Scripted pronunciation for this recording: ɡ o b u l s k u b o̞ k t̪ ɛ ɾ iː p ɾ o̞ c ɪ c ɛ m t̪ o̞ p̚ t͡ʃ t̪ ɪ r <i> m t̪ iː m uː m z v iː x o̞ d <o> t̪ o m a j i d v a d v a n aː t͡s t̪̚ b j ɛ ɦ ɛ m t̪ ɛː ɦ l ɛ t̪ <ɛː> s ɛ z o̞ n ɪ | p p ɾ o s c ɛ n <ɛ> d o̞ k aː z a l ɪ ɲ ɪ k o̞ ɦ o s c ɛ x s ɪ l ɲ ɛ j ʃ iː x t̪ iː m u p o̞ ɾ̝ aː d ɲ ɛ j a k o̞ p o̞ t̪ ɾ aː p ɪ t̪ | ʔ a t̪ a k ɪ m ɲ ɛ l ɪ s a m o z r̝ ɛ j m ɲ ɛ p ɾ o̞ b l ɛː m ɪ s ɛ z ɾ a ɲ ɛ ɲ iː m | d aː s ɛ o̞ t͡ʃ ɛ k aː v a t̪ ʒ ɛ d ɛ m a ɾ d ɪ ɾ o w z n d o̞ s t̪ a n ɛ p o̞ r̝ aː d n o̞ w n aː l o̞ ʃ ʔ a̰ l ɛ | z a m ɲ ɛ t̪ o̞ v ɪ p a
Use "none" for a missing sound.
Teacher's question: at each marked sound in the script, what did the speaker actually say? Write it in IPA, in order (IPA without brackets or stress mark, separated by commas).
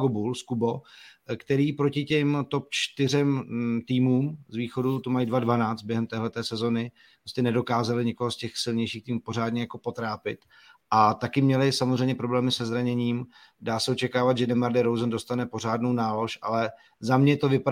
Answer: ɛ, u, ɛː, ɛ